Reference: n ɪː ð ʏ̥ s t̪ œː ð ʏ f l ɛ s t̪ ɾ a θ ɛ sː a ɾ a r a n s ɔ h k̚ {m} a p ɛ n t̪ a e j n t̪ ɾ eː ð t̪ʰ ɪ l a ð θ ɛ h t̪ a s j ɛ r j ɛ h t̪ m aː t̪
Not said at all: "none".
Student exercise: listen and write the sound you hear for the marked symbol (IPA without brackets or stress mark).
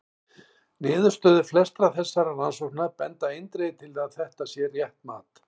n